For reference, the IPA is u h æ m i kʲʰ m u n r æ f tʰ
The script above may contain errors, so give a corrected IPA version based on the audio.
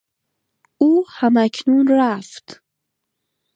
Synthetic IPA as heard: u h a m a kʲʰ n u n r a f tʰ

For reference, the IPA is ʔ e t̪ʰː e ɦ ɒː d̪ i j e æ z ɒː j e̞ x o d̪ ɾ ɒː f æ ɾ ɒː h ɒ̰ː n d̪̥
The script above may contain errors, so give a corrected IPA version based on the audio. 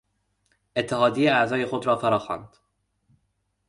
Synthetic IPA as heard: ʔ e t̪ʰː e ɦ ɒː d̪ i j e æ z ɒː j e̞ x o d̪ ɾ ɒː f æ ɾ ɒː x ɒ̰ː n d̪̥

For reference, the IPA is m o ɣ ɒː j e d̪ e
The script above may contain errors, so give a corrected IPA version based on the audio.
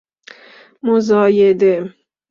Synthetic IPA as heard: m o z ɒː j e d̪ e

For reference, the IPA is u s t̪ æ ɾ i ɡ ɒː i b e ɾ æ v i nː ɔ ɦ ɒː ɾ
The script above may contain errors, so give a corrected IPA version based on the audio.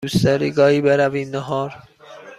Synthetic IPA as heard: u s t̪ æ ɾ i ɡ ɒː i b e ɾ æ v i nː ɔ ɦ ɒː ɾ

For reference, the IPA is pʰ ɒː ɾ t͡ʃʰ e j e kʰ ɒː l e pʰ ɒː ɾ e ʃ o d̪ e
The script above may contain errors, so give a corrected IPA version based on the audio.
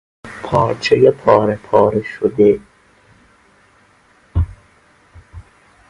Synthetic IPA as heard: pʰ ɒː ɾ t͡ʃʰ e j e pʰ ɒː ɾ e pʰ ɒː ɾ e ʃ o d̪ e

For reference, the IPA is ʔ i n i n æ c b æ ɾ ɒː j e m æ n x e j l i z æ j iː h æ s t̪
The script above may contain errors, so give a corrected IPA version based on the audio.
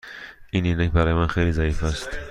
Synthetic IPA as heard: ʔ i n i n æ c b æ ɾ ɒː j e m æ n x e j l i z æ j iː f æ s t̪

